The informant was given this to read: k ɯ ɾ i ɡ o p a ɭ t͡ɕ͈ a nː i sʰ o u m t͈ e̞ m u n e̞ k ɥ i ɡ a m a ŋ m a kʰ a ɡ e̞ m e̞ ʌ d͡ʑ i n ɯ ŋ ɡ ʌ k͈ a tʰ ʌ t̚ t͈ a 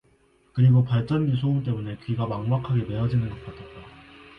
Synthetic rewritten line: k ɯ ɾ i ɡ o p a ɭ t͡ɕ͈ ʌ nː i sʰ o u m t͈ e̞ m u n e̞ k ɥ i ɡ a m a ŋ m a kʰ a ɡ e̞ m e̞ ʌ d͡ʑ i n ɯ n ɡ ʌ k͈ a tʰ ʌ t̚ t͈ a